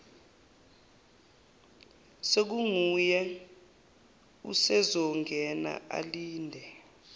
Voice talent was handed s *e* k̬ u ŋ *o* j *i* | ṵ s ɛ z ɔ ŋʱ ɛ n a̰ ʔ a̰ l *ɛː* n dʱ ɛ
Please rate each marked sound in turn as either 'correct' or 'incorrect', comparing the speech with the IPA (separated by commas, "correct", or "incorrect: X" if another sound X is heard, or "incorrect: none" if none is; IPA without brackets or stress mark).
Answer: correct, incorrect: u, incorrect: ɛ, incorrect: iː